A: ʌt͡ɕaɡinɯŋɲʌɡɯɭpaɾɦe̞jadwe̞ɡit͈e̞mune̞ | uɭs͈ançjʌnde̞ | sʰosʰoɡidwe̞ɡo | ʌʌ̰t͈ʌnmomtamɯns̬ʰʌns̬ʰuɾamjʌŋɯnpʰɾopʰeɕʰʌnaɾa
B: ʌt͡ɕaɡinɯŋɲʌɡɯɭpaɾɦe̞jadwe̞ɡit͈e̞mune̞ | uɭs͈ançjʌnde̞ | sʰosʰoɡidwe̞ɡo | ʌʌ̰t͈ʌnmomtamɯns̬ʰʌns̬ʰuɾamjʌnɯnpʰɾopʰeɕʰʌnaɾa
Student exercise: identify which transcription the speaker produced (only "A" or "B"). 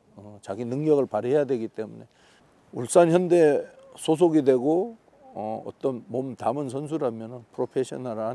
B